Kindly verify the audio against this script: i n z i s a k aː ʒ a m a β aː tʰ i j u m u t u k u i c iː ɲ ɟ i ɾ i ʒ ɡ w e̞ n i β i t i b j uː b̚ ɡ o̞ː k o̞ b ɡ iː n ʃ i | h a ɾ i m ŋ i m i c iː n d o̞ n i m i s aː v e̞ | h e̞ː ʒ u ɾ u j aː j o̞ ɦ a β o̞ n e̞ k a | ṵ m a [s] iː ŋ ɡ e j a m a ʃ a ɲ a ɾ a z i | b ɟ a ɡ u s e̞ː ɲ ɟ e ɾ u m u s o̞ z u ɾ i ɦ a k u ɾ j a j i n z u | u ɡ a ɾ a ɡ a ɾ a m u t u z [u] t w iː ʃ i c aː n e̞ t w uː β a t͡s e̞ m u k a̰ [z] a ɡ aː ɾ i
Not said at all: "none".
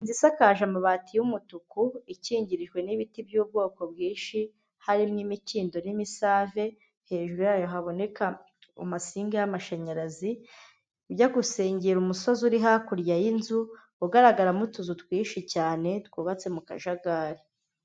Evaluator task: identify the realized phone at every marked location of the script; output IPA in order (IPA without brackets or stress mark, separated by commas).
s, u, ʒ